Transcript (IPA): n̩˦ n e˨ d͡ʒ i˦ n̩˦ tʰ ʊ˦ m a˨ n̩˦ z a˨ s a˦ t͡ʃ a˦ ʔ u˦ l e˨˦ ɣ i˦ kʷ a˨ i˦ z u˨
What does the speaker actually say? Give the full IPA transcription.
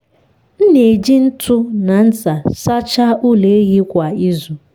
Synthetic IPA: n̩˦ n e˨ d͡ʒ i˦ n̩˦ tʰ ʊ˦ n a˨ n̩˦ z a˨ s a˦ t͡ʃ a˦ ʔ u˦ l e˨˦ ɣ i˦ kʷ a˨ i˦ z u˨